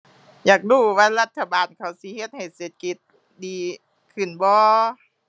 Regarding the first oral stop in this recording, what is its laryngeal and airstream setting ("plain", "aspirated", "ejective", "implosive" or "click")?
plain